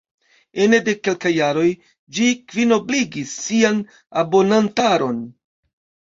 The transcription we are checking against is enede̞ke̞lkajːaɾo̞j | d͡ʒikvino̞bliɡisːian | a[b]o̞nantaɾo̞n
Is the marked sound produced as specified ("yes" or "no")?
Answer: yes